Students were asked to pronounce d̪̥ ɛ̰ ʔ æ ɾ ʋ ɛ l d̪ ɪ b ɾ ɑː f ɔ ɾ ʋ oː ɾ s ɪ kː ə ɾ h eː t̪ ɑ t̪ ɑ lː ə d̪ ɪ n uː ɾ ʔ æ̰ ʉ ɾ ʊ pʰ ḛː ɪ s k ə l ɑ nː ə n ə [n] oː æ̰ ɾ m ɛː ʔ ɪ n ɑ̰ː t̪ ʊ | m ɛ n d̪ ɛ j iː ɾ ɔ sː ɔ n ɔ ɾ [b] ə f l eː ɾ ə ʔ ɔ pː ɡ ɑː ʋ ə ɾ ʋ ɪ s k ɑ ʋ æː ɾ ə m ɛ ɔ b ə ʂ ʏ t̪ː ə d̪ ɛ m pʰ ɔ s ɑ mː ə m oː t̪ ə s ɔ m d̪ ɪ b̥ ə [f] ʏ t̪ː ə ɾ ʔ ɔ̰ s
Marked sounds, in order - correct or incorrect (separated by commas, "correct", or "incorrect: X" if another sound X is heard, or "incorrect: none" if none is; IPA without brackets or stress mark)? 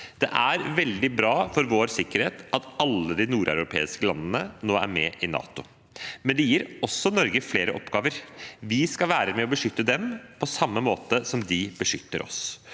correct, incorrect: ɡ, incorrect: ʂ